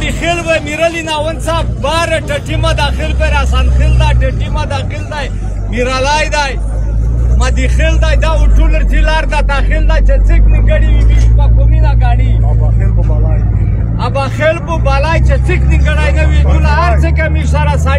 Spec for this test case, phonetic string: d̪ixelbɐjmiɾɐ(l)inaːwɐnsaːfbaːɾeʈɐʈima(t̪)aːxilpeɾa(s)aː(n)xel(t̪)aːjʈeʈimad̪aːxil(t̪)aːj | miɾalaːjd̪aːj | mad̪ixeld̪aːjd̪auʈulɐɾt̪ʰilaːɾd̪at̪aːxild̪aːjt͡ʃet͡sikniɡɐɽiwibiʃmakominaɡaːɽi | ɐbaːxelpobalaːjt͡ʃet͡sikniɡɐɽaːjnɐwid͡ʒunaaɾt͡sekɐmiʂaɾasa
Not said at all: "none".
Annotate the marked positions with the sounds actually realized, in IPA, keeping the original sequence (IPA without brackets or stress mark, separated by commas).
l, d̪, s, n, d̪, d̪